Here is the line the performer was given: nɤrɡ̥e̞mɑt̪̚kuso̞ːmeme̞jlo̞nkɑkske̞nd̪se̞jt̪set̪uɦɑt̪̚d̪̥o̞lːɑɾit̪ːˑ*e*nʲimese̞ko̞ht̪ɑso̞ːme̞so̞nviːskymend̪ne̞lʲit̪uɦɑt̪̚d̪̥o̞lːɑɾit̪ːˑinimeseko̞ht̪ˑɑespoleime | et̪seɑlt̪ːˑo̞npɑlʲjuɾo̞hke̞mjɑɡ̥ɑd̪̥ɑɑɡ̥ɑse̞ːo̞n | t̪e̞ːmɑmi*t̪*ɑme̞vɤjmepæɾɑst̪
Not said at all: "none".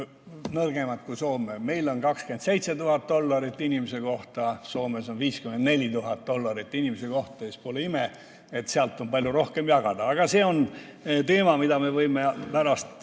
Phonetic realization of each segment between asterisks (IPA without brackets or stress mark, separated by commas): i, d̪